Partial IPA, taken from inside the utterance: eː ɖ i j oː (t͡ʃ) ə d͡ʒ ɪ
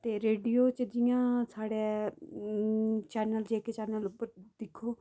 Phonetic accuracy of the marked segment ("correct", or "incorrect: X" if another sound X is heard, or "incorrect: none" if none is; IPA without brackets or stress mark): correct